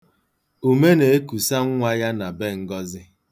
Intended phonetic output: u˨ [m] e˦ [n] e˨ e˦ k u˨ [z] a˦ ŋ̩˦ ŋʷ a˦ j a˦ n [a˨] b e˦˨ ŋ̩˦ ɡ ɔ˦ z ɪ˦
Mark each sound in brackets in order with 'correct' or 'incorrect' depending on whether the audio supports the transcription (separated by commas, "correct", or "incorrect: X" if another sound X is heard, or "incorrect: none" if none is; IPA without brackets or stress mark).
correct, correct, incorrect: s, correct